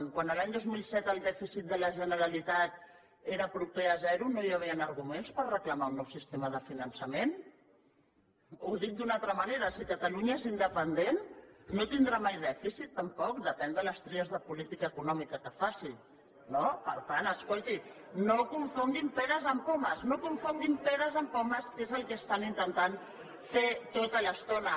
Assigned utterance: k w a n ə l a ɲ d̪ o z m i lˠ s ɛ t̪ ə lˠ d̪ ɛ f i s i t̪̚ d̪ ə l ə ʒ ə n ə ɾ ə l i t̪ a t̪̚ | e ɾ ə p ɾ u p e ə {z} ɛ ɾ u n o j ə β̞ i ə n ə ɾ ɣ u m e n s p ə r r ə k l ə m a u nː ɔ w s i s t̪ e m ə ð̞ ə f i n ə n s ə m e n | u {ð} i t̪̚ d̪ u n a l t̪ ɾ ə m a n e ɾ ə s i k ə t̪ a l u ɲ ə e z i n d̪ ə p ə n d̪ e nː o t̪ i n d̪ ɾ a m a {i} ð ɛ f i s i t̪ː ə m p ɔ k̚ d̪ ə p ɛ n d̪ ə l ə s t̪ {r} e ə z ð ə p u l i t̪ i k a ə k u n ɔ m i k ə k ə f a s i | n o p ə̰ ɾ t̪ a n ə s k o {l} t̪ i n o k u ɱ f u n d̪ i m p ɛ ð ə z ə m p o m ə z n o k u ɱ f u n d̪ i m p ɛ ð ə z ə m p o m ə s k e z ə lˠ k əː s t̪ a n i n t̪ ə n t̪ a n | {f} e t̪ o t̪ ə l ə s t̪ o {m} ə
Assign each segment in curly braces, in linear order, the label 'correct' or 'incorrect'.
correct, correct, incorrect: j, incorrect: ɾ, correct, correct, incorrect: n

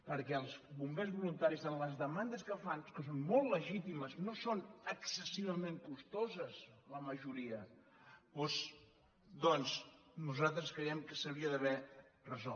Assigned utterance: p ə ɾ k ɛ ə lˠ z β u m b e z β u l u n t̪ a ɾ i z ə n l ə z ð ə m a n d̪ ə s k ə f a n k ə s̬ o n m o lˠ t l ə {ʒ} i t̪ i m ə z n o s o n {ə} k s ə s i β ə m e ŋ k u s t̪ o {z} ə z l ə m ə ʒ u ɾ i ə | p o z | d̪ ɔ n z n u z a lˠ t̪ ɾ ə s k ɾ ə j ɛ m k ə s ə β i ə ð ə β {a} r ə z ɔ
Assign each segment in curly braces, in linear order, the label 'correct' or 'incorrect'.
correct, correct, correct, incorrect: ɛ

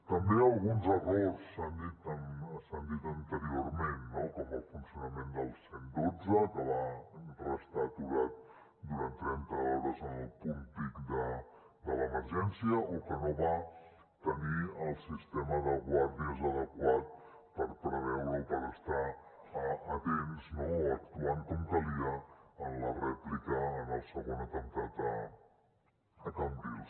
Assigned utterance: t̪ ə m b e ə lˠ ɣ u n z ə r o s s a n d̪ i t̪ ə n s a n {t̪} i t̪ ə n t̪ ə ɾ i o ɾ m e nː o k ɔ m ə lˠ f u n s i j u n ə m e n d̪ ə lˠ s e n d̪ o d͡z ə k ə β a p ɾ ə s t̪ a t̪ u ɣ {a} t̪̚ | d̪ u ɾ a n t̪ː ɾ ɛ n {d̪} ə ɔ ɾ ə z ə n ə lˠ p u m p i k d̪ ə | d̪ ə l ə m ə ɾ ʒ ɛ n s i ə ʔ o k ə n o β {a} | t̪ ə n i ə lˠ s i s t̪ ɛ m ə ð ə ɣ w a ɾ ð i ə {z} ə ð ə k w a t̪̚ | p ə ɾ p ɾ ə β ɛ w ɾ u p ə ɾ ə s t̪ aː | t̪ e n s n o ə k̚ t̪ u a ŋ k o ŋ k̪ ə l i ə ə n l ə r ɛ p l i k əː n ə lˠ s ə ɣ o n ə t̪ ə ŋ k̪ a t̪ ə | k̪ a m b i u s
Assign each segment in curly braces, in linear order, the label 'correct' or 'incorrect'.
incorrect: d̪, correct, incorrect: t̪, correct, correct

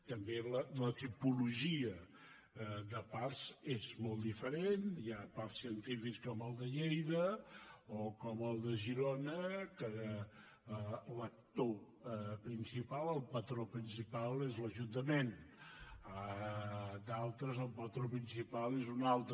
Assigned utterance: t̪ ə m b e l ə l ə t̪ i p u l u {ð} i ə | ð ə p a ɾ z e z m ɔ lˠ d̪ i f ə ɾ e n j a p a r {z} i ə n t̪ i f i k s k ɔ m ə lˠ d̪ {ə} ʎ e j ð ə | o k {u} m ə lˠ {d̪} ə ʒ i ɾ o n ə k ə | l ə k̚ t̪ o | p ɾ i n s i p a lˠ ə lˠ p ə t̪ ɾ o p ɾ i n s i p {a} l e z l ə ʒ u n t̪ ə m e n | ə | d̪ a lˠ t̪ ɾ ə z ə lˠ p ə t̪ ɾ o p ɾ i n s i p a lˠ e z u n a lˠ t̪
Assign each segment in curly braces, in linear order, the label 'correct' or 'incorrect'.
incorrect: ʒ, incorrect: s, correct, incorrect: ɔ, correct, correct

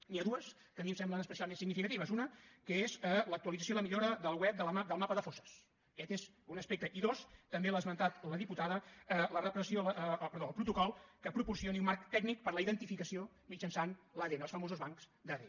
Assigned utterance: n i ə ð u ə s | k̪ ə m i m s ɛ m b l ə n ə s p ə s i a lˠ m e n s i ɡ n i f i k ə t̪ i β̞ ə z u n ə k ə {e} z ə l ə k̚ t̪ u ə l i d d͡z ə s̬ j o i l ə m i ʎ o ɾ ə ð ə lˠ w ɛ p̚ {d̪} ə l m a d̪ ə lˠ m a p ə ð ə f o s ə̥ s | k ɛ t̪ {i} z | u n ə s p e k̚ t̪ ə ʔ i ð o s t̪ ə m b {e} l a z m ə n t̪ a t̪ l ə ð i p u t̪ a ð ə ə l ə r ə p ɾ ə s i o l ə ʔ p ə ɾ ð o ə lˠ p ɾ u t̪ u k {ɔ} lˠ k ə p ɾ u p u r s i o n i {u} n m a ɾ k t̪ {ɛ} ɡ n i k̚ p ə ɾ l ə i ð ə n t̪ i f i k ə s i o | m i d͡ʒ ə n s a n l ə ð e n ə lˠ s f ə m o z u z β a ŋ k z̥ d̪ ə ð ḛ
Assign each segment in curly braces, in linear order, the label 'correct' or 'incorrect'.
correct, correct, incorrect: e, correct, correct, correct, correct

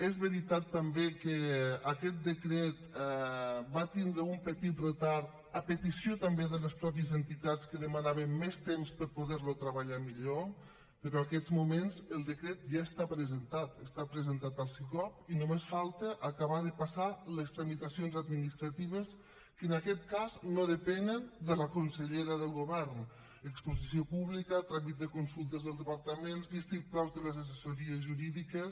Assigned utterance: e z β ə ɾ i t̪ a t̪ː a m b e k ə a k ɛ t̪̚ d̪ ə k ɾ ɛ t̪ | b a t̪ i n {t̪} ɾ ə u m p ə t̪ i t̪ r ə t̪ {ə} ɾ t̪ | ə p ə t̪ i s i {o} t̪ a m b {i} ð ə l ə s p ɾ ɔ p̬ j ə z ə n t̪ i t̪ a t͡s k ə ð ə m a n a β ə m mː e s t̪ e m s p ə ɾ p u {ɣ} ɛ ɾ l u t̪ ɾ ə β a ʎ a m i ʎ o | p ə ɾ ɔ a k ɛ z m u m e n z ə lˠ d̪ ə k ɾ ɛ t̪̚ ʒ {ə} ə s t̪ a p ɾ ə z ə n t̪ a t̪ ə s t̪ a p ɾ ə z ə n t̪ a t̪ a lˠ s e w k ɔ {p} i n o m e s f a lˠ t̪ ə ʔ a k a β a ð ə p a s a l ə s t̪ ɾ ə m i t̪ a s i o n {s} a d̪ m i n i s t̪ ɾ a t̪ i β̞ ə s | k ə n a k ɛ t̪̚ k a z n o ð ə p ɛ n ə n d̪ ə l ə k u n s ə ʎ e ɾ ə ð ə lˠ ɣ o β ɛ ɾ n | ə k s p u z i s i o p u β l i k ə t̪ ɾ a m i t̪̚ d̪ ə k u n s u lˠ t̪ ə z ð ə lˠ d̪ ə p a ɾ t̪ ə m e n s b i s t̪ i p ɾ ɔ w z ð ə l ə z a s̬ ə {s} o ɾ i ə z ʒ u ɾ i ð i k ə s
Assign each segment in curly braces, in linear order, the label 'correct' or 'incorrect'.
incorrect: d̪, incorrect: a, correct, incorrect: e, incorrect: ð, incorrect: a, correct, incorrect: z, correct

